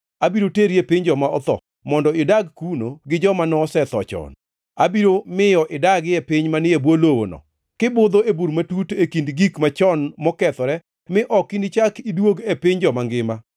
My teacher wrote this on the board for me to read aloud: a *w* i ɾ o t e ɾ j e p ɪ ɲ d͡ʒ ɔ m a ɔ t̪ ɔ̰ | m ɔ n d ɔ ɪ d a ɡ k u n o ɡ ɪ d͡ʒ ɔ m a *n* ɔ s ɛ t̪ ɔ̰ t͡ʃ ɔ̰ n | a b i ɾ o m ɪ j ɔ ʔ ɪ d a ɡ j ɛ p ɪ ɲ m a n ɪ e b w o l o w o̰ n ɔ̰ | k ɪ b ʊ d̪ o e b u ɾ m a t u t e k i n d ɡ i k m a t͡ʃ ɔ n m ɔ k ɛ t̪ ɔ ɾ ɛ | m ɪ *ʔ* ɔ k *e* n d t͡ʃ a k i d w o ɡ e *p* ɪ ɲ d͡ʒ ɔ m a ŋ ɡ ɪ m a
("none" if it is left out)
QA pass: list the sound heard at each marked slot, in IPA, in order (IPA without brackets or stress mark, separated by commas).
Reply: b, n, ʔ, i, p